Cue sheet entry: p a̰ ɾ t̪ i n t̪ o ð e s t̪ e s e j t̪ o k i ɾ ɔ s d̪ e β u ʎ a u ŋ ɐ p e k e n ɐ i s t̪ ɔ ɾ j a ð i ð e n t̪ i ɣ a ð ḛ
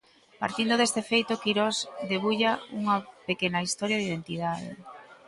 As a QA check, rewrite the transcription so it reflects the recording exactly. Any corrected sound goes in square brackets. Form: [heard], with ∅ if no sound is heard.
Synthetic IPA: p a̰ ɾ t̪ i n [d̪] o ð e s t̪ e [f] e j t̪ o k i ɾ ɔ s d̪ e β u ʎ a u ŋ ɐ p e k e n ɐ i s t̪ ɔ ɾ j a ð i ð e n t̪ i [ð] a ð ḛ